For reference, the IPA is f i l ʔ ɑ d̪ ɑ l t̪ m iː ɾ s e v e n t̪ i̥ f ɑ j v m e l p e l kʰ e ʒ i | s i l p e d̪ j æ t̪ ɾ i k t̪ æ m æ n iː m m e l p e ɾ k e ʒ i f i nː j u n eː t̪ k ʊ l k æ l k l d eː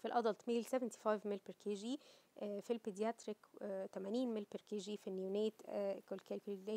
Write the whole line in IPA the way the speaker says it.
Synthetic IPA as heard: f i l ʔ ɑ d̪ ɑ l t̪ m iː l s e v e n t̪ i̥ f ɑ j v m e l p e ɾ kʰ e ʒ i | f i l p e d̪ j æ t̪ ɾ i k t̪ æ m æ n iː n m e l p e ɾ k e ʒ i f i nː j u n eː t̪ k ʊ l k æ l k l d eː